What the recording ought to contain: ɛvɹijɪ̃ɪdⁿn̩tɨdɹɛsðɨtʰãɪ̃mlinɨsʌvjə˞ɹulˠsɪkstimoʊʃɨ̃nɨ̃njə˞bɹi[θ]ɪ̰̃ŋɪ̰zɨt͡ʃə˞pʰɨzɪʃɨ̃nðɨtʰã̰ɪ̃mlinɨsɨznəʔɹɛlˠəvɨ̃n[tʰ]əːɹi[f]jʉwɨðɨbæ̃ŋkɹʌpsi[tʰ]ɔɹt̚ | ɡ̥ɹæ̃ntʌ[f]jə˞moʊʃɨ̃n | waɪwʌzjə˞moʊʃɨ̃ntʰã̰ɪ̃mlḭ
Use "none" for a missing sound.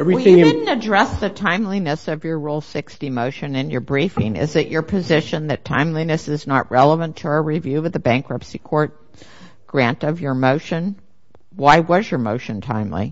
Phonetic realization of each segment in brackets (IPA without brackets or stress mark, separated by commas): f, tʰ, v, kʰ, v